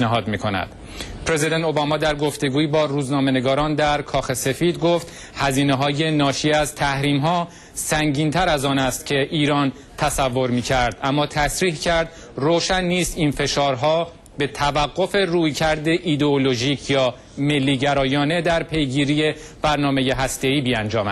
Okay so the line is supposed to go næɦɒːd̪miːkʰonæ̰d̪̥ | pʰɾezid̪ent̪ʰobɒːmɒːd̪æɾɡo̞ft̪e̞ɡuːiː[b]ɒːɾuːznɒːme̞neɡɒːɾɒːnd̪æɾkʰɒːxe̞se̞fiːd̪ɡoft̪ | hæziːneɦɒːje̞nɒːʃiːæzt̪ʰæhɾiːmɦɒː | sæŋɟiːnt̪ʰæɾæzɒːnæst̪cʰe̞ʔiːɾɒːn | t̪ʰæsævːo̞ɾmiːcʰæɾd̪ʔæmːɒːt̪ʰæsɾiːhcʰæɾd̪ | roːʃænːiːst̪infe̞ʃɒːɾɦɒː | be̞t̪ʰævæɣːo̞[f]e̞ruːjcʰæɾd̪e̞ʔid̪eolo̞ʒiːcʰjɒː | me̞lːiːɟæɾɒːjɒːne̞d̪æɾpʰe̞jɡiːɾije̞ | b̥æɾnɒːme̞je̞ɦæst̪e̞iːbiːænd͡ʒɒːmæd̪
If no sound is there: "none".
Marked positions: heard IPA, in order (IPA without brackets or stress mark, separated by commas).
b, f